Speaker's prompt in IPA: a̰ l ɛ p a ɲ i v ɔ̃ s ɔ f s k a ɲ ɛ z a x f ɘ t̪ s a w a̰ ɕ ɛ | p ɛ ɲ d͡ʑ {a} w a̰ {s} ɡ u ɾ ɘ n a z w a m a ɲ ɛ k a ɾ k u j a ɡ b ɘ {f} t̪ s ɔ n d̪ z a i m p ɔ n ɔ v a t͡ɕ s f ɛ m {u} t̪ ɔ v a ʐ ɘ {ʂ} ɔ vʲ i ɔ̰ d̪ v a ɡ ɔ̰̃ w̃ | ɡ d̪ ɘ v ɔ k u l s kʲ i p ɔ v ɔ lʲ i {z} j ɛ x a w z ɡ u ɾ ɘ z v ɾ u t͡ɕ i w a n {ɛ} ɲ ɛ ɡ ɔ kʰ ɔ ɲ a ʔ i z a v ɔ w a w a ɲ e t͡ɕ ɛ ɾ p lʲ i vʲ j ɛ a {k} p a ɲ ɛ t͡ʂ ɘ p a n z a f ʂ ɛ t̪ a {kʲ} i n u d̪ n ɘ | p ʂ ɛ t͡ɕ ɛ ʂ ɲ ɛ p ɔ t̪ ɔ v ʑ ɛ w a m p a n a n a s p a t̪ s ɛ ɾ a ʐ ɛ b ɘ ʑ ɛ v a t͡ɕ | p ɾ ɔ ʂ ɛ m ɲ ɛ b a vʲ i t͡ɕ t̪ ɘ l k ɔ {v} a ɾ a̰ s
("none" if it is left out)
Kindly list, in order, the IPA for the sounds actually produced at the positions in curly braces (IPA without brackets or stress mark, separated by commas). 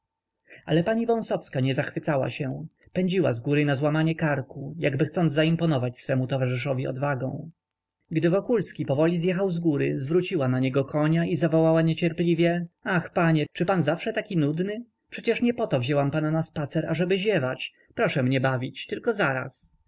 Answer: i, z, x, u, ʂ, z, a, x, kʲ, z